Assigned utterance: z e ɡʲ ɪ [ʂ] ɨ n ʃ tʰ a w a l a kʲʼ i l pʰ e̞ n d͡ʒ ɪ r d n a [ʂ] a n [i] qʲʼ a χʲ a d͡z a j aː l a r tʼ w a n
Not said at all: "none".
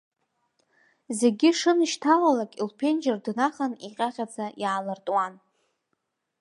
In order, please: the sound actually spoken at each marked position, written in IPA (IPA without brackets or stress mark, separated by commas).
ʂ, χ, i